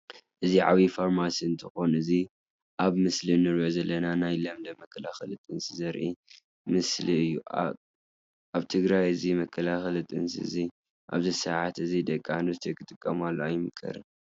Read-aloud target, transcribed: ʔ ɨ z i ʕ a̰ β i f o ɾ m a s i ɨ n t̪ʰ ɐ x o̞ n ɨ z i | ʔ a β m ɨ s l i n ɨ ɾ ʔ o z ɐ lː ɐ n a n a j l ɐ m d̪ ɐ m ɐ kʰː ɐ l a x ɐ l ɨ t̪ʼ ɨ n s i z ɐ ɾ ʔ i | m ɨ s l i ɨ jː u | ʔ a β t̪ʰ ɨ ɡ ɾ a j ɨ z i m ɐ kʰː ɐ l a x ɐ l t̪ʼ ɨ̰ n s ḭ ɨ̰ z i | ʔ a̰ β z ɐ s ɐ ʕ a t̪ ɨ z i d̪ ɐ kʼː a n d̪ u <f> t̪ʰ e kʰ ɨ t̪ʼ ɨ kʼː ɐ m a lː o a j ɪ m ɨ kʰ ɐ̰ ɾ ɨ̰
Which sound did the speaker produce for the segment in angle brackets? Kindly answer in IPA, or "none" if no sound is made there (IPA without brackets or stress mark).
s